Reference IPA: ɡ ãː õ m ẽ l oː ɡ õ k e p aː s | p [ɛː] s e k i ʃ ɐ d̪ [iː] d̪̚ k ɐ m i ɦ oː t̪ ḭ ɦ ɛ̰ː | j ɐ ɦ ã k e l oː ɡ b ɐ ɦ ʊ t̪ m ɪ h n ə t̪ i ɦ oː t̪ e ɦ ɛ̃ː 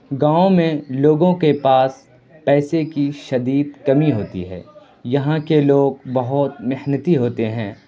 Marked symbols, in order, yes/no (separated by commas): yes, yes